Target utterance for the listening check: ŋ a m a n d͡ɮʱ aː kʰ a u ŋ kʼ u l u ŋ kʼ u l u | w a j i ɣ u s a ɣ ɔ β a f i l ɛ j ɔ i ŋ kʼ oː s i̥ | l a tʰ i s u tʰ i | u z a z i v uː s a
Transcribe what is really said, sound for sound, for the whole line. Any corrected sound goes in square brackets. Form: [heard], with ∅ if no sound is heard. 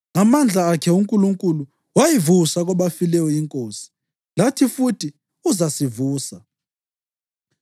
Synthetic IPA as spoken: ŋ a m a n d͡ɮʱ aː kʰ [ɛ] u ŋ kʼ u l u ŋ kʼ u l u | w a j i [v] u s a ɣ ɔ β a f i l ɛ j ɔ i ŋ kʼ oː s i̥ | l a tʰ i [f] u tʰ i | u z a [s] i v uː s a